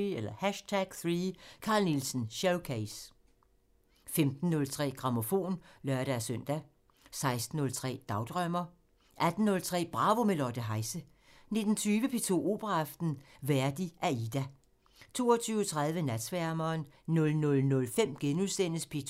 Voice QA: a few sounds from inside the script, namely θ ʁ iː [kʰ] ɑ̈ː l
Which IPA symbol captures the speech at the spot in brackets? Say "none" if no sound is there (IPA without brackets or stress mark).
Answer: kʰ